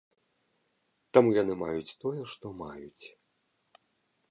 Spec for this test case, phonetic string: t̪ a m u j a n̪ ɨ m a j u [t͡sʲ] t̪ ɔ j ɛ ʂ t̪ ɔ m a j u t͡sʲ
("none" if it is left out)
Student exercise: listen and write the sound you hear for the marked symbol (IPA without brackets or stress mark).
t͡sʲ